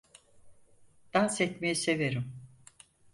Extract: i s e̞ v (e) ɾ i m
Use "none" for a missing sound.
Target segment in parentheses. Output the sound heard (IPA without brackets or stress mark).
e